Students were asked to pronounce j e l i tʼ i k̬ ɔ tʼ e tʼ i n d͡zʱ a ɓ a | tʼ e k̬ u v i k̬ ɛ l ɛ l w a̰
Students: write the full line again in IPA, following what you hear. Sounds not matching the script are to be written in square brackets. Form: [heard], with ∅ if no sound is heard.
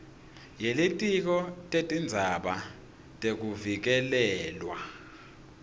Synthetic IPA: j e l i tʼ i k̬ ɔ tʼ e tʼ i n d͡zʱ a ɓ a | tʼ e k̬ u v i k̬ ɛ l [ɛː] l w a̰